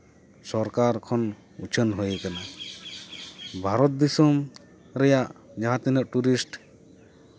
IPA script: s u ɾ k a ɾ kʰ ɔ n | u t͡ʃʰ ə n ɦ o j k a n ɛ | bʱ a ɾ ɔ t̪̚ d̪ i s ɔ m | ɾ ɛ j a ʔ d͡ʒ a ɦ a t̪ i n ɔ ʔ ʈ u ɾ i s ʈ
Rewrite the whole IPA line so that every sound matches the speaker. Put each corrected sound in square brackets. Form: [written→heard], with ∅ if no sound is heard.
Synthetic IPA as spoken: s [u→ɔ] ɾ k a ɾ kʰ ɔ n | u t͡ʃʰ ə n ɦ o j k a n [ɛ→a] | bʱ a ɾ ɔ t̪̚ d̪ i s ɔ m | ɾ ɛ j a ʔ d͡ʒ a ɦ a t̪ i n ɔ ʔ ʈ u ɾ i s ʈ

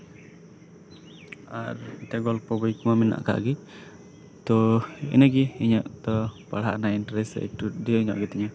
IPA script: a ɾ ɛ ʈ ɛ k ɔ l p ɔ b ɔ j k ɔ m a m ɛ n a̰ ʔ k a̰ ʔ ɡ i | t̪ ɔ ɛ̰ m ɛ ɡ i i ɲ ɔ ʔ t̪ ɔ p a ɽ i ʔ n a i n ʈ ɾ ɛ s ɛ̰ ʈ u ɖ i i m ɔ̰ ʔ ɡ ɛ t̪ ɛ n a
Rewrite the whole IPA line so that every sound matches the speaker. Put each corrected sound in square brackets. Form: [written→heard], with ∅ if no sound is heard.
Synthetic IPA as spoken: a ɾ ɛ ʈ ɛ [k→ɡ] ɔ l p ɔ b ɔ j k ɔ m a m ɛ n a̰ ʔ k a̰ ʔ ɡ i | t̪ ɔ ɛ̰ [m→n] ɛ ɡ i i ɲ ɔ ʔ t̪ ɔ p a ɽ [i→a] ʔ n a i n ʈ ɾ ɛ s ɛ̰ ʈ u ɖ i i [m→ɲ] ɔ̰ ʔ ɡ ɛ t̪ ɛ [n→ɲ] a

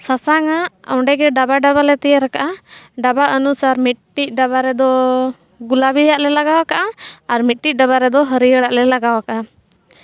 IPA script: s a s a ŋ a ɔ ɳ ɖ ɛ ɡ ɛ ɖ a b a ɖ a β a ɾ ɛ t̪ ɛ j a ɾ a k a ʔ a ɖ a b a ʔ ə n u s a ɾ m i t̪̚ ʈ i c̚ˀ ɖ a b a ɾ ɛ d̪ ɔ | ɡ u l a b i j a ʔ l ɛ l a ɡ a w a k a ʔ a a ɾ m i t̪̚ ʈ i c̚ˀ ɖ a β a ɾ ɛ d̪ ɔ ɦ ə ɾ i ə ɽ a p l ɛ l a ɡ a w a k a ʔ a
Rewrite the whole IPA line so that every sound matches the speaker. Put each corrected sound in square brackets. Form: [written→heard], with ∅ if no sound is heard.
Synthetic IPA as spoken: s a s a ŋ a ɔ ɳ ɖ ɛ ɡ ɛ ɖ a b a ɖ a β a [ɾ→l] ɛ t̪ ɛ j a ɾ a k a ʔ a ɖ a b a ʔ ə n u s a ɾ m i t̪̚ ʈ i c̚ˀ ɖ a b a ɾ ɛ d̪ ɔ | ɡ u l a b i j a ʔ l ɛ l a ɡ a w a k a ʔ a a ɾ m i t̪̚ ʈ i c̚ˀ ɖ a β a ɾ ɛ d̪ ɔ ɦ ə ɾ i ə ɽ a [p→ʔ] l ɛ l a ɡ a w a k a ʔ a

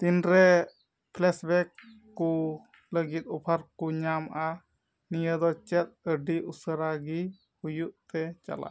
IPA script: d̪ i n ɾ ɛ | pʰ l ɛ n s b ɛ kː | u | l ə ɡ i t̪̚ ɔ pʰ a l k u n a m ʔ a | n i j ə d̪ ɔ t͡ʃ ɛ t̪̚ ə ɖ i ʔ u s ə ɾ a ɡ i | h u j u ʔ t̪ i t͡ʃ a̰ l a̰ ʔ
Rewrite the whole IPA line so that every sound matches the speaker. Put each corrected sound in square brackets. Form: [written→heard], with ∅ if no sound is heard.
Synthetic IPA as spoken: [d̪→t̪] i n ɾ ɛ | pʰ l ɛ [n→∅] s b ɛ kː | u | l ə ɡ i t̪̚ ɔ pʰ a [l→ɾ] k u [n→ɲ] a m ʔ a | n i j ə d̪ ɔ t͡ʃ ɛ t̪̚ ə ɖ i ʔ u s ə ɾ a ɡ i | h u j u ʔ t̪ [i→ɛ] t͡ʃ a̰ l a̰ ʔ

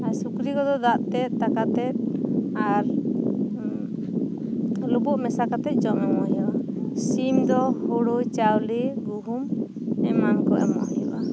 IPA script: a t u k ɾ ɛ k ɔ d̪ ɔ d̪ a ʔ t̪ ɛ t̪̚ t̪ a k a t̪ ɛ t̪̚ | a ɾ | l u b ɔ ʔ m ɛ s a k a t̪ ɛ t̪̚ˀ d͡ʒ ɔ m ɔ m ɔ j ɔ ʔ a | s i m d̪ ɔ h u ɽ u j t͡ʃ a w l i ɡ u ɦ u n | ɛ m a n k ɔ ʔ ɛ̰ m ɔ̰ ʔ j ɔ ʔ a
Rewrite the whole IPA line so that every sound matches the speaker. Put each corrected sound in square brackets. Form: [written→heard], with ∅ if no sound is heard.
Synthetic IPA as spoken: a [t→s] u k ɾ [ɛ→i] k ɔ d̪ ɔ d̪ a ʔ t̪ ɛ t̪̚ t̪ a k a t̪ ɛ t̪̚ | a ɾ | l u b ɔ ʔ m ɛ s a k a t̪ ɛ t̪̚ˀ d͡ʒ ɔ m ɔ m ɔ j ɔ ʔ a | s i m d̪ ɔ h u ɽ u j t͡ʃ a w l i ɡ u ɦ u [n→m] | ɛ m a n k ɔ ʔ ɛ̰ m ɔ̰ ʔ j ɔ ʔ a

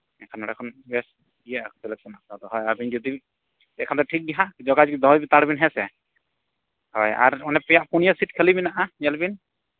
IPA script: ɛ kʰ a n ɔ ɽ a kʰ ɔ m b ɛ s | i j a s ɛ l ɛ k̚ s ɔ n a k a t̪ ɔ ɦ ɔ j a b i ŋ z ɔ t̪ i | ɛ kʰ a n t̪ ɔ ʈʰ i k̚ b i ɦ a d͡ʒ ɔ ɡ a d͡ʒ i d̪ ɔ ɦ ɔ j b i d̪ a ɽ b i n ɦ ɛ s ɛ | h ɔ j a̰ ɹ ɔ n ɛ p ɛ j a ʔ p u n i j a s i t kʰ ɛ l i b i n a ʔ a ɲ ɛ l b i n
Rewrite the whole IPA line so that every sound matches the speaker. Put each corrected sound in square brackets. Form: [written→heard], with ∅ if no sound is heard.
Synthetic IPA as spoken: ɛ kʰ a n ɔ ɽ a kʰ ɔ [m→n] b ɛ s | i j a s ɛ l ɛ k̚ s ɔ n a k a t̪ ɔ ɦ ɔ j a b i [ŋ→n] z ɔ [t̪→d̪] i | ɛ kʰ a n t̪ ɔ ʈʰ i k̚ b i ɦ a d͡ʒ ɔ ɡ a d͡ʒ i d̪ ɔ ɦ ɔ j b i [d̪→t̪] a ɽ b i n ɦ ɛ s ɛ | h ɔ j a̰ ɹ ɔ n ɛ p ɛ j a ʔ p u n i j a s i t kʰ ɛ l i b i n a ʔ a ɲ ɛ l b i n

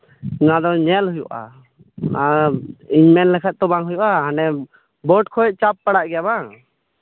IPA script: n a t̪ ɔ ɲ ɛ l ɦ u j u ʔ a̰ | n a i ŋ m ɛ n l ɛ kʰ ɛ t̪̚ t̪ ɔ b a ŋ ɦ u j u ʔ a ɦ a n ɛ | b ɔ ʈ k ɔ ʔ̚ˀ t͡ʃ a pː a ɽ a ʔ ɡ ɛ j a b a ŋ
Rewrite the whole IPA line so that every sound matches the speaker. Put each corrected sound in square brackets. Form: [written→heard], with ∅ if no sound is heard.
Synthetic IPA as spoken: n a [t̪→d̪] ɔ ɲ ɛ l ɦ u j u ʔ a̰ | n a i [ŋ→ɲ] m ɛ n l ɛ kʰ ɛ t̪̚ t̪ ɔ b a ŋ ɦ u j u ʔ a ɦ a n ɛ | b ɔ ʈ [k→kʰ] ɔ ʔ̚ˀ t͡ʃ a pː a ɽ a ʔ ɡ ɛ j a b a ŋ

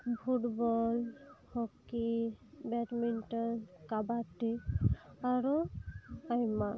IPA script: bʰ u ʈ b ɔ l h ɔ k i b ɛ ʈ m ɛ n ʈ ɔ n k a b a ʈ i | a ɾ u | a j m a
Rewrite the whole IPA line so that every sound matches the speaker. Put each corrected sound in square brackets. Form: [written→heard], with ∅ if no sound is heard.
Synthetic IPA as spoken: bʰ u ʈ b ɔ l h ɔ k i b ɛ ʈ m [ɛ→i] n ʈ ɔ n k a b a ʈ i | a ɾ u | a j m a

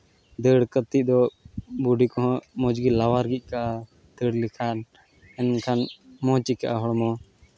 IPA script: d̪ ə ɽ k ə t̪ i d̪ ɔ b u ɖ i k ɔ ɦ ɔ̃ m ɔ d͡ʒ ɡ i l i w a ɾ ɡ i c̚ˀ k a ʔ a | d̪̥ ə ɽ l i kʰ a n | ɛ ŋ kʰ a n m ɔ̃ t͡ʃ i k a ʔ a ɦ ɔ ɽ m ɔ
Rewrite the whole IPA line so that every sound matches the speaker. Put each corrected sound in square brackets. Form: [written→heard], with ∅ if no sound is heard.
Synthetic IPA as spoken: d̪ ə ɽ k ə t̪ i d̪ ɔ b u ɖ i k ɔ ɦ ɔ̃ m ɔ d͡ʒ ɡ i l [i→a] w a ɾ ɡ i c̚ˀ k a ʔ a | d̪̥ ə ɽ l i kʰ a n | ɛ [ŋ→n] kʰ a n m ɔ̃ t͡ʃ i k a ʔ a ɦ ɔ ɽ m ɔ

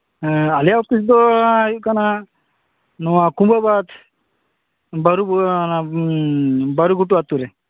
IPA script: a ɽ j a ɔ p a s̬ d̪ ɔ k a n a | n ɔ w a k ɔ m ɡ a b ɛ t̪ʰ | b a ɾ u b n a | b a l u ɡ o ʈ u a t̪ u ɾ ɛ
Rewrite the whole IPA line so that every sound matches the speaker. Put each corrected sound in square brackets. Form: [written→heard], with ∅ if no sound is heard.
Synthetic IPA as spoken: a [ɽ→l] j a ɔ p [a→i] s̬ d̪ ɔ k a n a | n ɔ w a k [ɔ→u] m [ɡ→b] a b [ɛ→a] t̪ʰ | b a ɾ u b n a | b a [l→ɾ] u ɡ [o→u] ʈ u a t̪ u ɾ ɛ

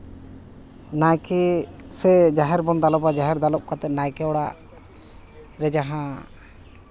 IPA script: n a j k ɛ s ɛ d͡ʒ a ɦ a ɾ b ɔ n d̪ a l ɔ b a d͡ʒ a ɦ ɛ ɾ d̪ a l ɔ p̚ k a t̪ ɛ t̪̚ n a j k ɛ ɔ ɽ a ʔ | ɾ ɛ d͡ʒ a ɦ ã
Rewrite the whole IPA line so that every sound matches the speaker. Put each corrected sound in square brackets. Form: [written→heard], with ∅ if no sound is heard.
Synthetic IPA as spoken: n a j k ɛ s ɛ d͡ʒ a ɦ [a→ɛ] ɾ b ɔ n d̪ a l ɔ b a d͡ʒ a ɦ ɛ ɾ d̪ a l ɔ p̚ k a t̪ ɛ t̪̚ n a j k ɛ ɔ ɽ a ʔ | ɾ ɛ d͡ʒ a ɦ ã

